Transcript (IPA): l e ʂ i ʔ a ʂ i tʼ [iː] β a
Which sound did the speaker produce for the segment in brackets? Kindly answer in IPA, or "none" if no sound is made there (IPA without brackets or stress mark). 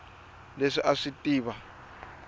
iː